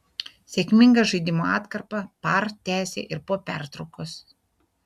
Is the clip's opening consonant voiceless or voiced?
voiceless